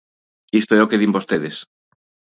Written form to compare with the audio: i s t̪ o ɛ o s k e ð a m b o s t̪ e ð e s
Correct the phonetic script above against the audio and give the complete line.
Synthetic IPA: i s t̪ o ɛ o k e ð i m b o s t̪ e ð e s